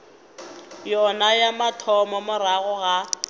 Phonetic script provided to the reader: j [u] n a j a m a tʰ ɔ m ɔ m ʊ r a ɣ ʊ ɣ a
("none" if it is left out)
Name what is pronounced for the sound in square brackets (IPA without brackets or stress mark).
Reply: ɔ